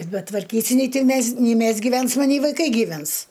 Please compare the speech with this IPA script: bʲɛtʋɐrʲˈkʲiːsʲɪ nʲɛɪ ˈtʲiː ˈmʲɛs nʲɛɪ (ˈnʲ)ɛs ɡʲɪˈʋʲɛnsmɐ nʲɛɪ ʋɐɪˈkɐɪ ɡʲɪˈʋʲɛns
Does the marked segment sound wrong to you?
yes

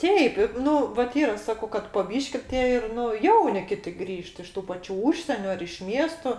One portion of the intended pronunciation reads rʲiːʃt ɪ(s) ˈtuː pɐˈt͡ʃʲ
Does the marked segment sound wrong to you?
yes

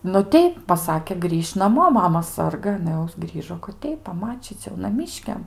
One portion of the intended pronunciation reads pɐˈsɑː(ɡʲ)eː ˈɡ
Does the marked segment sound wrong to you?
yes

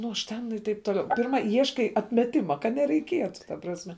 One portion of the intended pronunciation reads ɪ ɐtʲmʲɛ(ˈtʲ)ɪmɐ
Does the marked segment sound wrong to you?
no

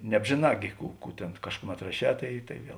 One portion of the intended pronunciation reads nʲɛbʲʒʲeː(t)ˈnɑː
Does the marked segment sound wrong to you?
yes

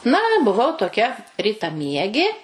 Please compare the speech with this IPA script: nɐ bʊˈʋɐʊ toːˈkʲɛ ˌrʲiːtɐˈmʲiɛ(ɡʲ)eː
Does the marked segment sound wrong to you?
no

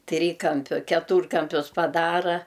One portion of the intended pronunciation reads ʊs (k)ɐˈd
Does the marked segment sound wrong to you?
yes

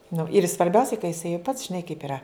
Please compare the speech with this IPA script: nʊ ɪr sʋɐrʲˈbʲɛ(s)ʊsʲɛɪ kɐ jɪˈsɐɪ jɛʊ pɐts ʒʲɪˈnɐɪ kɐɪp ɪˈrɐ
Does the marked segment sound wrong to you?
yes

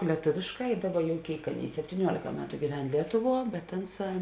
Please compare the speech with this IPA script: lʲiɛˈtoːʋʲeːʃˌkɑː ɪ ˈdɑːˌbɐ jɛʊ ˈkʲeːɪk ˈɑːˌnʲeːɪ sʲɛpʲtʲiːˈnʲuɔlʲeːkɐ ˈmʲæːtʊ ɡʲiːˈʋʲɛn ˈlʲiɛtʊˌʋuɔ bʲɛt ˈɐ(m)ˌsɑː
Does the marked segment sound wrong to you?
yes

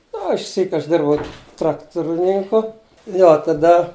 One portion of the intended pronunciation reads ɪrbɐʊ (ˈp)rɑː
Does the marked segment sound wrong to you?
yes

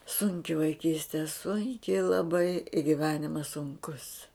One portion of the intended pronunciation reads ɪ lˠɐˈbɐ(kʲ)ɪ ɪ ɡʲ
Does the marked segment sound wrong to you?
yes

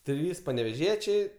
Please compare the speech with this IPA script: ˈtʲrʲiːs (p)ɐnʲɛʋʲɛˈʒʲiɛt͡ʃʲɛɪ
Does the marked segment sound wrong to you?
no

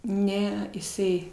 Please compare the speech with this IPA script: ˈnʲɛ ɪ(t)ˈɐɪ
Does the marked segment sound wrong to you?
yes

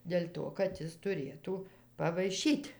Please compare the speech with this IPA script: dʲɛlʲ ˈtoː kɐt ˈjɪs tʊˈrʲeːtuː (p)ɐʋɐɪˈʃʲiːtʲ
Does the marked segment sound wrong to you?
no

